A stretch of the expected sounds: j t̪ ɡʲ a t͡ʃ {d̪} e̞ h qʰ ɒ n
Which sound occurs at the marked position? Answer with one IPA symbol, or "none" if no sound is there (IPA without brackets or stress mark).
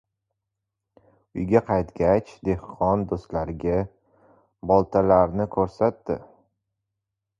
d̪